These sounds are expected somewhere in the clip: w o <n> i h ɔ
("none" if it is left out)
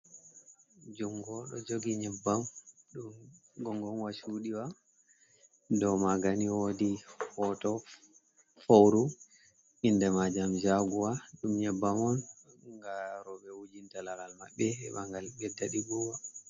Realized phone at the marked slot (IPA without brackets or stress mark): d